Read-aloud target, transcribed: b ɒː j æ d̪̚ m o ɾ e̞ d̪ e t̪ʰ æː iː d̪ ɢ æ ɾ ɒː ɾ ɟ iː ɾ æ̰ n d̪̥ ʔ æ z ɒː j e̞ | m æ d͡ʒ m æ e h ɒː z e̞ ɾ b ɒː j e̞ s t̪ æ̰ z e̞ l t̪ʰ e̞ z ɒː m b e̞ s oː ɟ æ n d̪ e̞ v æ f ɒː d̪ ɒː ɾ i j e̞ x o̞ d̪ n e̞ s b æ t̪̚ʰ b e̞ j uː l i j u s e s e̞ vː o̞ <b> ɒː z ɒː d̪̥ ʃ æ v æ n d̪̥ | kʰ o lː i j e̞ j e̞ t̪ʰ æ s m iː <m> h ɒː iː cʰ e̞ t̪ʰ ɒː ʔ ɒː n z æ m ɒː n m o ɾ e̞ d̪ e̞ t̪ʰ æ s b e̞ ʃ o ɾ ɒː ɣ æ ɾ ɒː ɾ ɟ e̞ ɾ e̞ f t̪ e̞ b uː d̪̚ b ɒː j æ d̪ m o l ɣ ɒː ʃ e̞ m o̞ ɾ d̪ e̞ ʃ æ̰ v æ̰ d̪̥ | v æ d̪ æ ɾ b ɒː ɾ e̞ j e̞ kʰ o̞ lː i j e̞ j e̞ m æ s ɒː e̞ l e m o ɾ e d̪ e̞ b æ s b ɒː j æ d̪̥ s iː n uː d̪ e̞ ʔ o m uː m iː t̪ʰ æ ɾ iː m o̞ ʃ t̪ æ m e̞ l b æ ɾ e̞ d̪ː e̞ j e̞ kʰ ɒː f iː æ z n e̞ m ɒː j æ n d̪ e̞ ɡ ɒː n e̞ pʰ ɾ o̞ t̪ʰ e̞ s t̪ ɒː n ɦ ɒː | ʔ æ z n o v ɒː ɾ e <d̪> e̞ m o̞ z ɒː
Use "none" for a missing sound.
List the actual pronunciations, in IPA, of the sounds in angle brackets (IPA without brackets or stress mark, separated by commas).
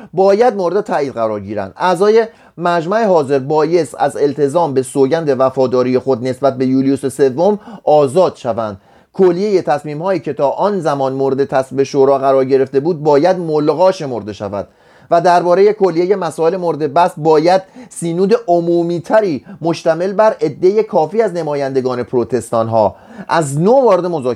m, m, d̪